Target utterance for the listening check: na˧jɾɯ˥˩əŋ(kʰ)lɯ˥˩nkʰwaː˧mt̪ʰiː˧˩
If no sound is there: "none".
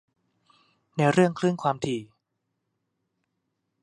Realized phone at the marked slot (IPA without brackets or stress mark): kʰ